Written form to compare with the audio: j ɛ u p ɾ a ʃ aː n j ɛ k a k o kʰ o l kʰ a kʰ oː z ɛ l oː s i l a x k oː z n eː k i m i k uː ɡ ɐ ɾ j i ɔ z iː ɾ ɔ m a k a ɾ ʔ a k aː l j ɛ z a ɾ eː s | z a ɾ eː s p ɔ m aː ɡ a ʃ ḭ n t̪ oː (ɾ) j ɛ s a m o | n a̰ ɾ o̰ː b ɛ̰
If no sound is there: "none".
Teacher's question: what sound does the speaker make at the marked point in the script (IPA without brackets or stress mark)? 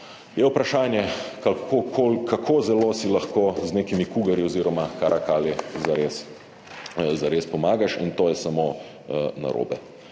none